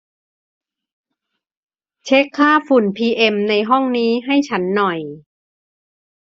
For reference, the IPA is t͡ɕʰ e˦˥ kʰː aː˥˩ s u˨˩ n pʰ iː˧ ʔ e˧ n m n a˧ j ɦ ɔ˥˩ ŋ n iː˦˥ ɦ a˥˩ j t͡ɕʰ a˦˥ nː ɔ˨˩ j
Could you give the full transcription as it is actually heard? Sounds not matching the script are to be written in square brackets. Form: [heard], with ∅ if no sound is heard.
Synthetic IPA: t͡ɕʰ e˦˥ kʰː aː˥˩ [f] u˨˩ n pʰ iː˧ ʔ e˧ [∅] m n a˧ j ɦ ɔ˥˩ ŋ n iː˦˥ ɦ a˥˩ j t͡ɕʰ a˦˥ nː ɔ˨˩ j

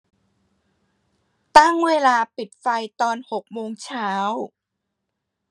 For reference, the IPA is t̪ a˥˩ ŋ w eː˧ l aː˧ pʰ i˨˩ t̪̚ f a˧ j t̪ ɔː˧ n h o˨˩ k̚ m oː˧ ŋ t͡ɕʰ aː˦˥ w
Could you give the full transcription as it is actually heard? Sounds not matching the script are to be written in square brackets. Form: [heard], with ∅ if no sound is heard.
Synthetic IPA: t̪ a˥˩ ŋ w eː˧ l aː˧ [p] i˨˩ t̪̚ f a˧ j t̪ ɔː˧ n h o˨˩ k̚ m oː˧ ŋ t͡ɕʰ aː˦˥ w

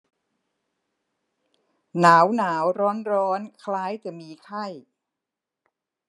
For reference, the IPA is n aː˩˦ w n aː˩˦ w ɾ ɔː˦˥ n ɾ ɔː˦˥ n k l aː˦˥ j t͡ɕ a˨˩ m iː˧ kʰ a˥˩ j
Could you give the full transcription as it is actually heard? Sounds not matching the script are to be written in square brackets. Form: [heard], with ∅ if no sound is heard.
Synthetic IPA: n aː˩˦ w n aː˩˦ w ɾ ɔː˦˥ n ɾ ɔː˦˥ n [kʰ] l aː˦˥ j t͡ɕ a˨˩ m iː˧ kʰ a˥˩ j

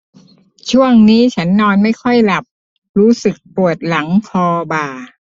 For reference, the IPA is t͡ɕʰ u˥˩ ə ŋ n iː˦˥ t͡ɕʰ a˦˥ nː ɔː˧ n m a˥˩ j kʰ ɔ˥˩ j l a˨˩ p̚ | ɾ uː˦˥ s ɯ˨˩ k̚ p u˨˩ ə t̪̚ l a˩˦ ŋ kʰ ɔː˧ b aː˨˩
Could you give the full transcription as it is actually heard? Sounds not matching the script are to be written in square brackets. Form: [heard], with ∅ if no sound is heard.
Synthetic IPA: t͡ɕʰ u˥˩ ə ŋ n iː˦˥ t͡ɕʰ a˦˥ nː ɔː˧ n m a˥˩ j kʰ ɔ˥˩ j l a˨˩ p̚ | ɾ uː˦˥ s ɯ˨˩ k̚ p u˨˩ ə t̪̚ l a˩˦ ŋ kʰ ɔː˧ b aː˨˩

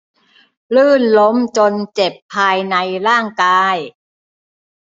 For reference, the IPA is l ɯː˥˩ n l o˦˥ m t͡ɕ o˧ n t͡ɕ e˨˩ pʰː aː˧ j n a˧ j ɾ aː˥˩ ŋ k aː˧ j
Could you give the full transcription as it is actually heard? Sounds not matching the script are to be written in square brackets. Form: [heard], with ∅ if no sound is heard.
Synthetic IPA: l ɯː˥˩ n l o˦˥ m t͡ɕ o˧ n t͡ɕ e˨˩ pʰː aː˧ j n a˧ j ɾ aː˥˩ ŋ k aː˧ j

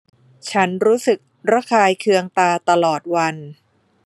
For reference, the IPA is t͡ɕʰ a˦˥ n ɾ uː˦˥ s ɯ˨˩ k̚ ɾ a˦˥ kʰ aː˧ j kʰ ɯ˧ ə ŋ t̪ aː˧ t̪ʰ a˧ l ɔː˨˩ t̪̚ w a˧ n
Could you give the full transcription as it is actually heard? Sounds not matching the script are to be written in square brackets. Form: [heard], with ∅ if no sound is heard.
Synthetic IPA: t͡ɕʰ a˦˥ n ɾ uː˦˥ s ɯ˨˩ k̚ ɾ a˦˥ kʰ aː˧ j kʰ ɯ˧ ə ŋ t̪ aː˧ [t̪] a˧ l ɔː˨˩ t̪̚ w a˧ n

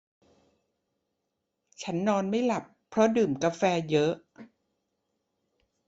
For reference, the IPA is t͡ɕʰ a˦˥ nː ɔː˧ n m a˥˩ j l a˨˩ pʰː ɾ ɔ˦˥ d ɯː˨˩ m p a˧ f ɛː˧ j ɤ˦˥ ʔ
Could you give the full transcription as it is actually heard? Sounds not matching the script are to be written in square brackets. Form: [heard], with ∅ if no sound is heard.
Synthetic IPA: t͡ɕʰ a˦˥ nː ɔː˧ n m a˥˩ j l a˨˩ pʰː ɾ ɔ˦˥ d ɯː˨˩ m [k] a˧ f ɛː˧ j ɤ˦˥ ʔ

